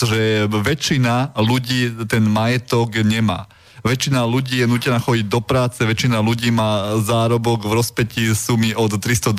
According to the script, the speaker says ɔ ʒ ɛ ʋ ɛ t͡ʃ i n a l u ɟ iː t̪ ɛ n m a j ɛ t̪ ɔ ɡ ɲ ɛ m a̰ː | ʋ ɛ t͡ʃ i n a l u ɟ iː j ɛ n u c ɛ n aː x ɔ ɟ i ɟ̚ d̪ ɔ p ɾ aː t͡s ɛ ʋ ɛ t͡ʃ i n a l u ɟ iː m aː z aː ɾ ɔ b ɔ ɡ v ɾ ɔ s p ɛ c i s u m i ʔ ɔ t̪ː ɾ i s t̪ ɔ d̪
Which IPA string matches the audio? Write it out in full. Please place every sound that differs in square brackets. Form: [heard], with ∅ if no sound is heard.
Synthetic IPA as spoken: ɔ ʒ ɛ ʋ ɛ t͡ʃ i n a l u ɟ iː t̪ ɛ n m a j ɛ t̪ ɔ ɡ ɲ ɛ m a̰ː | ʋ ɛ t͡ʃ i n a l u ɟ iː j ɛ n [uː] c ɛ n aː x ɔ ɟ i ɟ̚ d̪ ɔ p ɾ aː t͡s ɛ ʋ ɛ t͡ʃ i n a l u ɟ iː m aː z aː ɾ ɔ b ɔ ɡ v ɾ ɔ s p ɛ c i s u m i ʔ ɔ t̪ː ɾ i s t̪ ɔ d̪